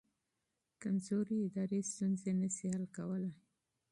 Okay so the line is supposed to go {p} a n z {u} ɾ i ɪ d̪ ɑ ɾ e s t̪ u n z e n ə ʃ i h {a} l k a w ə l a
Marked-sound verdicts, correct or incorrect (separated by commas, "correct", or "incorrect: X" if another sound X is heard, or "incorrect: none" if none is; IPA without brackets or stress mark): incorrect: k, incorrect: o, correct